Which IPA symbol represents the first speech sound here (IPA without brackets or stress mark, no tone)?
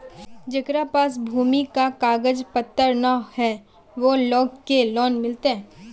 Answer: d͡ʒ